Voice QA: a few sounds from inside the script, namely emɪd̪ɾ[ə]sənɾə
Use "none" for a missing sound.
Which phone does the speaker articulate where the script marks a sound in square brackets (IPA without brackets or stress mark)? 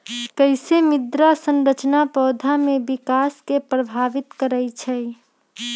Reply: a